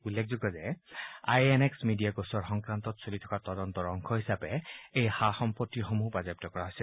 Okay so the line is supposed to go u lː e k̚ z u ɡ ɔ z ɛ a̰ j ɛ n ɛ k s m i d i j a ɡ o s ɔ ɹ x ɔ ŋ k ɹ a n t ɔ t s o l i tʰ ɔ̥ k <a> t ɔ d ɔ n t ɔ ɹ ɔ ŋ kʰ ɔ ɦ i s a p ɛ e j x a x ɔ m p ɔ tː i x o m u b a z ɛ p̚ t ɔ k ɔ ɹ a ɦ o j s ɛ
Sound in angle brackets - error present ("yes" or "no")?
no